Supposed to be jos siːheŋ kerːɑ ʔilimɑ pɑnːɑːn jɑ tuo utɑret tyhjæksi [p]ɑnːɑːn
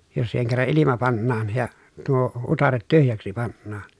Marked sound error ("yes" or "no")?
no